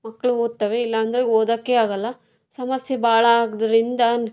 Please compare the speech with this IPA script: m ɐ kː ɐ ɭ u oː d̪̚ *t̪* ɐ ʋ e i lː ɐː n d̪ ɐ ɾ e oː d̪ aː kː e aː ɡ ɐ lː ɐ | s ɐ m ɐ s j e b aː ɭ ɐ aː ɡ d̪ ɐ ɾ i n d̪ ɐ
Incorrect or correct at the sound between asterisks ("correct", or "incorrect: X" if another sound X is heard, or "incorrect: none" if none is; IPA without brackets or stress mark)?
correct